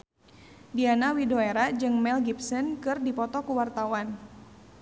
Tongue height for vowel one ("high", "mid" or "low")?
high